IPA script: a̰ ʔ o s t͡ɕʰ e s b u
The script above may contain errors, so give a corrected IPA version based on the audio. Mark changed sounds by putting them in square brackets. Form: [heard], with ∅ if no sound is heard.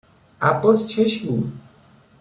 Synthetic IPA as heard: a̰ [p] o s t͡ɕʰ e [ʃ] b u